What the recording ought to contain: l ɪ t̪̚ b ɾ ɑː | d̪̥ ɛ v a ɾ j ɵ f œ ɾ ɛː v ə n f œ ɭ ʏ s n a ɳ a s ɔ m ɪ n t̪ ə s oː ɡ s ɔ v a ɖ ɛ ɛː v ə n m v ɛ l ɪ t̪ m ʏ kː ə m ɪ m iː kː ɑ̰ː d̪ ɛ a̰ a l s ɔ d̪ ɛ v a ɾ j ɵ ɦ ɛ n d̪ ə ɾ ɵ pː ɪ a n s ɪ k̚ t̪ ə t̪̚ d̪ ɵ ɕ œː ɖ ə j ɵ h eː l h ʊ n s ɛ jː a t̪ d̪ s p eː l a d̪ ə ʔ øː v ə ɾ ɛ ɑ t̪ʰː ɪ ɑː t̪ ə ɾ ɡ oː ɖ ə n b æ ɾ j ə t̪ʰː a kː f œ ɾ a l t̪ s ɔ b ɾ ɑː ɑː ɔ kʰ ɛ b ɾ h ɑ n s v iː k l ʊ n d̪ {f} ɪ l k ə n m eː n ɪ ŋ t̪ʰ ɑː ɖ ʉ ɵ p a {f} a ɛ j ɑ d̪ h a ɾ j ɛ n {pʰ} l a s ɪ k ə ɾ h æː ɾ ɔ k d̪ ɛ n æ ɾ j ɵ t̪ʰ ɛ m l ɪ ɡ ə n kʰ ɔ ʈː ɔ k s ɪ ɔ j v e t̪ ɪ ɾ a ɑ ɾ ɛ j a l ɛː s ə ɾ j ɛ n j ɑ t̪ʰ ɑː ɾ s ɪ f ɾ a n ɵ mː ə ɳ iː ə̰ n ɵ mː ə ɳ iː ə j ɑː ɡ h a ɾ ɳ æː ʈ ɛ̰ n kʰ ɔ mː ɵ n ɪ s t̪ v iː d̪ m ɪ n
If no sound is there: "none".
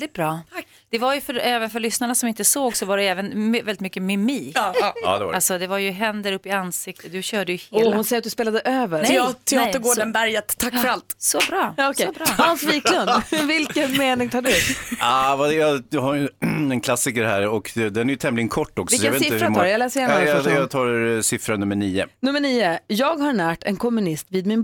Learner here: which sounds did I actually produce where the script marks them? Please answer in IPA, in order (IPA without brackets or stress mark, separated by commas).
v, v, kʰ